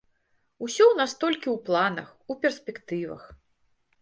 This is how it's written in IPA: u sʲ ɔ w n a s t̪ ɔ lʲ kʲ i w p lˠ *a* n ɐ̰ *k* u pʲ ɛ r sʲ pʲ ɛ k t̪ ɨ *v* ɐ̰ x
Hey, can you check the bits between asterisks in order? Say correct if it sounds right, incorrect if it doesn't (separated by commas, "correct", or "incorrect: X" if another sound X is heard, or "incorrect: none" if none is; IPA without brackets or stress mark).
correct, incorrect: x, correct